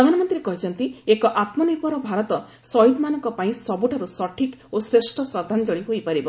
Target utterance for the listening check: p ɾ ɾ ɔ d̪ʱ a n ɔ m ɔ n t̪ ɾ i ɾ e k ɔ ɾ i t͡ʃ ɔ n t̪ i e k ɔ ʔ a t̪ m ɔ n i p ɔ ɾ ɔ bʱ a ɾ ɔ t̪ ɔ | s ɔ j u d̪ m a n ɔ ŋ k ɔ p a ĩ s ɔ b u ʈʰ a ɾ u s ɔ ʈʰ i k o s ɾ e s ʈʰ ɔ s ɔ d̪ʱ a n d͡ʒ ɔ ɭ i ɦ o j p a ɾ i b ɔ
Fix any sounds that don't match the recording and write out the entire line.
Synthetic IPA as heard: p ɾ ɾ ɔ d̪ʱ a n ɔ m ɔ n t̪ ɾ i ɾ e k ɔ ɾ i t͡ʃ ɔ n t̪ i e k ɔ ʔ a t̪ m ɔ n i p ɔ ɾ ɔ bʱ a ɾ ɔ t̪ ɔ | s ɔ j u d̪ m a n ɔ ŋ k ɔ p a ĩ s ɔ b u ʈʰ a ɾ u s ɔ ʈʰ i k o s ɾ e s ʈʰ ɔ s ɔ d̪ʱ a n d͡ʒ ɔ ɭ i ɦ o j p a ɾ i b ɔ